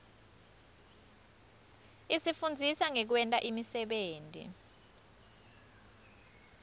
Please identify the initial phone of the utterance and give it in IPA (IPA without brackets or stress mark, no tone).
i